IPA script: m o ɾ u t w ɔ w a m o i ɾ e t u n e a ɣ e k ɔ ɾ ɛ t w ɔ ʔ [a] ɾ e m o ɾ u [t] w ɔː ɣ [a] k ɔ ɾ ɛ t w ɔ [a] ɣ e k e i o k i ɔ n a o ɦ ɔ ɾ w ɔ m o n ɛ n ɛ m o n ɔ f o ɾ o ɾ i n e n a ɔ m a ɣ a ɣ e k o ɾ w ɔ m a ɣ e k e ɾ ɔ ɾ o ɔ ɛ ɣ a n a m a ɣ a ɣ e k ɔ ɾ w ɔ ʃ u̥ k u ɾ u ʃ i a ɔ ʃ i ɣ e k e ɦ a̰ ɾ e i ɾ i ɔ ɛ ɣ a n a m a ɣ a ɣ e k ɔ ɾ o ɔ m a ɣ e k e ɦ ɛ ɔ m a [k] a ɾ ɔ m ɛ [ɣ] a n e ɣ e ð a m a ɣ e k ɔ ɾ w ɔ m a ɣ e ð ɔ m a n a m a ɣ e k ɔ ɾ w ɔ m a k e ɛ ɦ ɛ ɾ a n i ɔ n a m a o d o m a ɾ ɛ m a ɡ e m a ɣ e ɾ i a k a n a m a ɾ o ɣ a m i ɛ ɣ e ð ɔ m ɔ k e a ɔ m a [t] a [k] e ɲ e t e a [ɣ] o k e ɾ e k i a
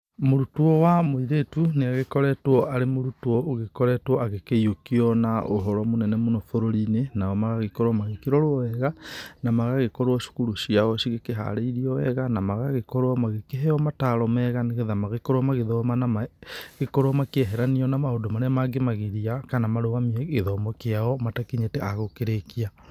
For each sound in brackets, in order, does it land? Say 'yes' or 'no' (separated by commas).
yes, yes, no, yes, no, yes, yes, yes, yes